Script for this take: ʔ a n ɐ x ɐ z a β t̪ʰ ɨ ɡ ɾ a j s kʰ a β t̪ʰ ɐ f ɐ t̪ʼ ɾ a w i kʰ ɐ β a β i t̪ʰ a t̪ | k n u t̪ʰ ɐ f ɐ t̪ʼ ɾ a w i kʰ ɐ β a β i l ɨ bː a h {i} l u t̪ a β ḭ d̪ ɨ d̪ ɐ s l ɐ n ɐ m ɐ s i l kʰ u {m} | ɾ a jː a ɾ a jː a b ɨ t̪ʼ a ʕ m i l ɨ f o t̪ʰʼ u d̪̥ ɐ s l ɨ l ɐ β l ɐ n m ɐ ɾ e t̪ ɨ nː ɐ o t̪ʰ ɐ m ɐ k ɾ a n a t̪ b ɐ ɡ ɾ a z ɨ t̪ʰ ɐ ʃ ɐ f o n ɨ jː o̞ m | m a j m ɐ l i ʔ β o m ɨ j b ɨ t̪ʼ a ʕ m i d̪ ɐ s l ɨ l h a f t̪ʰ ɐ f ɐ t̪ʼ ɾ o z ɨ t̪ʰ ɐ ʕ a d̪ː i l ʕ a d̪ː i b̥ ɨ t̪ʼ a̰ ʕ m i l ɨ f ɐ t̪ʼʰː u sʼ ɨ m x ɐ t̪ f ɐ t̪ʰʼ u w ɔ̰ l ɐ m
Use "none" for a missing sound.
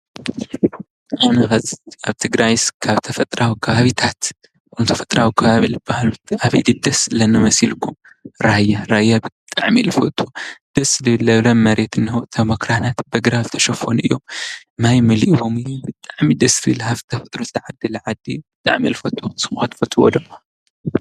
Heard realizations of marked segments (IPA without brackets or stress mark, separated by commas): a, m